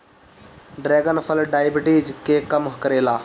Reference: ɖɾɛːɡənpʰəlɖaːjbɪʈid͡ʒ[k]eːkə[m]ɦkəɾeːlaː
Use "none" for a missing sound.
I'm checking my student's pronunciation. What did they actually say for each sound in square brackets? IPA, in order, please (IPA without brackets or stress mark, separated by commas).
k, m